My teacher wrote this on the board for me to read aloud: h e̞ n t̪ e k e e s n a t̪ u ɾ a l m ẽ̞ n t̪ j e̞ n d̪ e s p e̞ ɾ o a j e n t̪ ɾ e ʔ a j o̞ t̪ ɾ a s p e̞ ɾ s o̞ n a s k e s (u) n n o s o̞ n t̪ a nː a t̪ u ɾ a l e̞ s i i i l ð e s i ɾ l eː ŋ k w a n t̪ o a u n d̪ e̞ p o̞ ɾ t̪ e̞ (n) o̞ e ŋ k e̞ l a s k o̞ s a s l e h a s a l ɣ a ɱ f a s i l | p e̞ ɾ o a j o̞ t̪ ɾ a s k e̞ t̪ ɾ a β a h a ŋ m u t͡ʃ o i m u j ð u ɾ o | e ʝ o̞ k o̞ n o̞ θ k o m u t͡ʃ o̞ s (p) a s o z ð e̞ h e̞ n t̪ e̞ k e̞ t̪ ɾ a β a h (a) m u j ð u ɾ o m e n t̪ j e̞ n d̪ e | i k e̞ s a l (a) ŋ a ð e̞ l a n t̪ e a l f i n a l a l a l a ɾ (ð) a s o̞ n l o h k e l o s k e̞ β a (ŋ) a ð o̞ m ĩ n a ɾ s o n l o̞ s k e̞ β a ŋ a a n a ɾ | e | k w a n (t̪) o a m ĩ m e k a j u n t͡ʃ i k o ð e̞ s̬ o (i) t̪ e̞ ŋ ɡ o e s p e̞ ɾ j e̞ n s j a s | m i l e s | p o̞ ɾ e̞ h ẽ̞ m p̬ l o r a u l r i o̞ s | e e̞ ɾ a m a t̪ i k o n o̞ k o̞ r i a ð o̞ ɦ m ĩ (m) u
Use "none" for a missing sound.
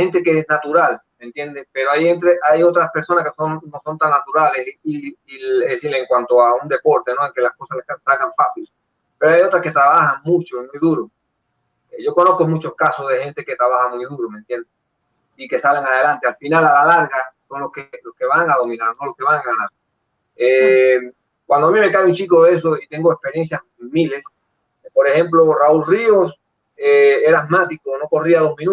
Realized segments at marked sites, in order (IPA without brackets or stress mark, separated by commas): o, n, k, a, e, ɣ, ŋ, d̪, i, n